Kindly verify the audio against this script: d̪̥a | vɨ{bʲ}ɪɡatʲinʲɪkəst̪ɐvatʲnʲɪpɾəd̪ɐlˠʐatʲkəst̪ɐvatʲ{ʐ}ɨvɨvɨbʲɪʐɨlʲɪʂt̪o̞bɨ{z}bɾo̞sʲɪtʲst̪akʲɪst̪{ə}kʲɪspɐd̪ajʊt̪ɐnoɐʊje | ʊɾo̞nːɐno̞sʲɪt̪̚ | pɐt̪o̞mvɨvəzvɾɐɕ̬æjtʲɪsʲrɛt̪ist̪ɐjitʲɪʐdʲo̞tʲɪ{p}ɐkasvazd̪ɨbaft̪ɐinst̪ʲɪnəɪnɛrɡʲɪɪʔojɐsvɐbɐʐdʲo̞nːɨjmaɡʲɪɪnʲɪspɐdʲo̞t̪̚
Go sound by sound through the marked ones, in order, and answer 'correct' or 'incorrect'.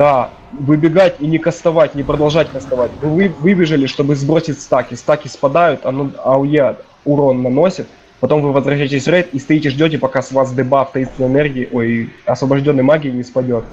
correct, incorrect: v, correct, incorrect: a, correct

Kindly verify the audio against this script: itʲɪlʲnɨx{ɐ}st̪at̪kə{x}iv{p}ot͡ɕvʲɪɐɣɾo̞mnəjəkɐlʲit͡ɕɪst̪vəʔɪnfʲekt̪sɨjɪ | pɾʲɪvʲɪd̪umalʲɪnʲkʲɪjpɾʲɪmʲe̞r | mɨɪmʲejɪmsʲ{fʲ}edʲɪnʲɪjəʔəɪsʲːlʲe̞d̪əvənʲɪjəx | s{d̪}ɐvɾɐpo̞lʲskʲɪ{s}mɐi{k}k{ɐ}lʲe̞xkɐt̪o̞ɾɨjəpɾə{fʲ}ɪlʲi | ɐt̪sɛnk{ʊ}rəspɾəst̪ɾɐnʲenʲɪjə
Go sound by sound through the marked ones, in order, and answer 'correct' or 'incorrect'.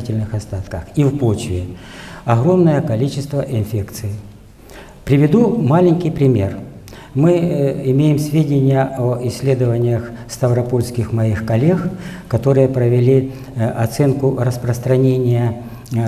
correct, correct, correct, incorrect: vʲ, incorrect: t̪, incorrect: x, incorrect: x, correct, incorrect: vʲ, correct

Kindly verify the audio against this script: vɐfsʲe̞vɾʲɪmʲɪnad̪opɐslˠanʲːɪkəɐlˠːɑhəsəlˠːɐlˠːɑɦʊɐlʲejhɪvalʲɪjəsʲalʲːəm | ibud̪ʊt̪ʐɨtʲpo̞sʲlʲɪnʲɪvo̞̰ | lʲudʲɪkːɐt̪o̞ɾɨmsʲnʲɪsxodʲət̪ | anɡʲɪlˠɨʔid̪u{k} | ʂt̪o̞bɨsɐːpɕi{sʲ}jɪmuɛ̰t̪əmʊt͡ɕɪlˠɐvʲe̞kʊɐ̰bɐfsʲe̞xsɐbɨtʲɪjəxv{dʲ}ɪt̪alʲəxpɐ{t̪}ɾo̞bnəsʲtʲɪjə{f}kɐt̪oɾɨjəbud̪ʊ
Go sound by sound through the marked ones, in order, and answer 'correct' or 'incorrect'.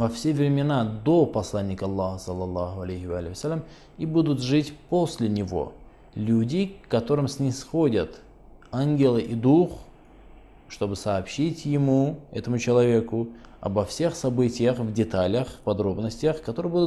incorrect: x, incorrect: tʲ, correct, incorrect: d̪, incorrect: x

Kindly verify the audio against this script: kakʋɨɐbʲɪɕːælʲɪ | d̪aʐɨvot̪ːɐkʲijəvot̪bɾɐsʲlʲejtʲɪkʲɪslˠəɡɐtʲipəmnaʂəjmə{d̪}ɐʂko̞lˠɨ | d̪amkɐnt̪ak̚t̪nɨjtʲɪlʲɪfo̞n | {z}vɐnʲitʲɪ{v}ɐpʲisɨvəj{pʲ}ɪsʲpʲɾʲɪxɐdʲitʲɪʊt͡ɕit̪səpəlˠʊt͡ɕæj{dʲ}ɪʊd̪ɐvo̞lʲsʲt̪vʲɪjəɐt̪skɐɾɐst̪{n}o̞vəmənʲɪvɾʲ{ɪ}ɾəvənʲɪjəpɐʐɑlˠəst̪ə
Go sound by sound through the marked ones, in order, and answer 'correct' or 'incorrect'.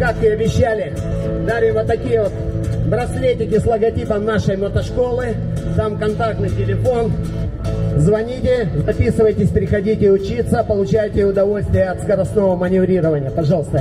incorrect: t̪, correct, incorrect: z, incorrect: tʲ, incorrect: tʲ, correct, incorrect: i

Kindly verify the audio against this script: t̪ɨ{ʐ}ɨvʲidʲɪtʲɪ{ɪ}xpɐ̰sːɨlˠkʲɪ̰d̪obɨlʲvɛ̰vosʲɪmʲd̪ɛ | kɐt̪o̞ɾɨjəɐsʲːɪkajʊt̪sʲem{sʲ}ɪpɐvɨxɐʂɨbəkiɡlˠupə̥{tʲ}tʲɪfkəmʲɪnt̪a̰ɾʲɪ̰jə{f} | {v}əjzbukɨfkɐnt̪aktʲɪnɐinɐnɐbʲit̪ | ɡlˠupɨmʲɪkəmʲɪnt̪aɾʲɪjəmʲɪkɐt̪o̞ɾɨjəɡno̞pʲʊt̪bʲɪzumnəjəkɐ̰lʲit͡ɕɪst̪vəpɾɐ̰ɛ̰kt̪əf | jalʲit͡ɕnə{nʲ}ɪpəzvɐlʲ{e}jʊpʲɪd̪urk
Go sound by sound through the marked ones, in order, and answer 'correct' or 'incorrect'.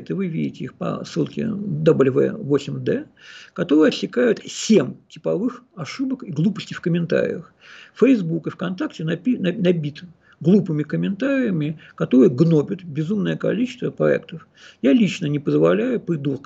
incorrect: v, incorrect: i, incorrect: tʲ, incorrect: sʲ, incorrect: x, incorrect: f, correct, incorrect: æ

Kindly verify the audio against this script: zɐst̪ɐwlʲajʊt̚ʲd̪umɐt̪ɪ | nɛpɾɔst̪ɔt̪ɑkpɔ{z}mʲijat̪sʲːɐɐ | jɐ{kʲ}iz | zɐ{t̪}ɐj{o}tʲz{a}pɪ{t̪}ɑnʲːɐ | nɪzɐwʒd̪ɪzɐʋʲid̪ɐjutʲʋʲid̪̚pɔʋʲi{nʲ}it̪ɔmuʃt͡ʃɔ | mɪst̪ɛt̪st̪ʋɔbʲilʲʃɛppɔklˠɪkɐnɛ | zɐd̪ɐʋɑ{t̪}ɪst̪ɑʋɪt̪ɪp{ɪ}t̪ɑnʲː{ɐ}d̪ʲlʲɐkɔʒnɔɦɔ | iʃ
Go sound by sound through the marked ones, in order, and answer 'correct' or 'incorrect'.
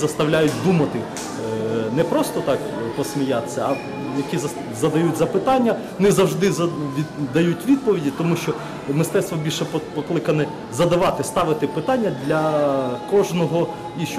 incorrect: s, correct, incorrect: d̪, incorrect: u, incorrect: ɐ, correct, incorrect: dʲ, correct, correct, correct

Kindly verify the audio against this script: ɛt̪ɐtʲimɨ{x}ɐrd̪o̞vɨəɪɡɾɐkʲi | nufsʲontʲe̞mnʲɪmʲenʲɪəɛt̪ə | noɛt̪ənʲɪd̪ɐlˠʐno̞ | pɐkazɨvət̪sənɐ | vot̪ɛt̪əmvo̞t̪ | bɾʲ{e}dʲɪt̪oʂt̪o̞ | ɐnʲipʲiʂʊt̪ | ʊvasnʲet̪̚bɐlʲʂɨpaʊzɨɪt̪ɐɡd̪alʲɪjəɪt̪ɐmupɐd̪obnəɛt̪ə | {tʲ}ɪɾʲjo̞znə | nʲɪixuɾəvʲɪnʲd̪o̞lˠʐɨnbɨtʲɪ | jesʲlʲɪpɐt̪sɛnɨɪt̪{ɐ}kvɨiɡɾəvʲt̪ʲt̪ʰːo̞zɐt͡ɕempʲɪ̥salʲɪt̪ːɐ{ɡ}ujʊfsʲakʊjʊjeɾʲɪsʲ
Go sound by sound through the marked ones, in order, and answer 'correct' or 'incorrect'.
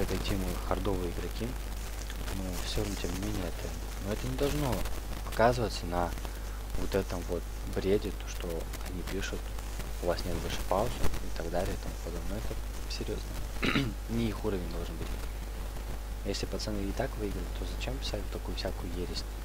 correct, correct, incorrect: sʲ, incorrect: a, incorrect: k

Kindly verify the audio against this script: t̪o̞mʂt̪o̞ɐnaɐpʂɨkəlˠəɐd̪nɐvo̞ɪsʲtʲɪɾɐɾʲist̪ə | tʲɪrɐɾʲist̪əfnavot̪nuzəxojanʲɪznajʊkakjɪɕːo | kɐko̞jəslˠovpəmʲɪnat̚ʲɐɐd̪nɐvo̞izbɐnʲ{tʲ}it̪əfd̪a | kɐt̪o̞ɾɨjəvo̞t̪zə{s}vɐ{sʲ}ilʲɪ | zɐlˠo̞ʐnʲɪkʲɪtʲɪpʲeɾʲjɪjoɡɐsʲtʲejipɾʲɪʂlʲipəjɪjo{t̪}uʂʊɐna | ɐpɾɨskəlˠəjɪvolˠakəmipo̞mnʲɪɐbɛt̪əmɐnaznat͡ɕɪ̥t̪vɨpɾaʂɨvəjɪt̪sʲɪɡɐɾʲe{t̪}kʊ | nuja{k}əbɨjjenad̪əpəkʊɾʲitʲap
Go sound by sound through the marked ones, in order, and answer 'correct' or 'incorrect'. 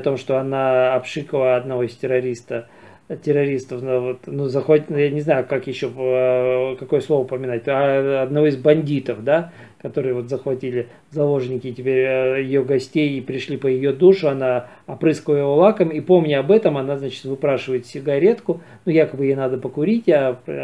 incorrect: dʲ, incorrect: x, incorrect: tʲ, incorrect: d̪, correct, correct

